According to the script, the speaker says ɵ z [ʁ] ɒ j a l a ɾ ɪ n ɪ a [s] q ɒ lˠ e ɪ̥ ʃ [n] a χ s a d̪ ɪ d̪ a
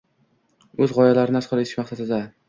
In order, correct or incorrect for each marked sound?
correct, correct, incorrect: m

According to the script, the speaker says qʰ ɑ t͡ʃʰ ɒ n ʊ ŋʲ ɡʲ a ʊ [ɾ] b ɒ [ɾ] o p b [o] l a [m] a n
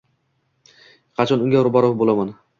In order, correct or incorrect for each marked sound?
correct, correct, correct, correct

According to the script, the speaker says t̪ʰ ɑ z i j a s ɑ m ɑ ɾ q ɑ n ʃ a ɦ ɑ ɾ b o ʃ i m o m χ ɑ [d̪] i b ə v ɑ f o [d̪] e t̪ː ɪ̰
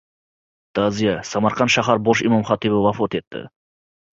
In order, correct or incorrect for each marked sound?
incorrect: t̪, incorrect: t̪

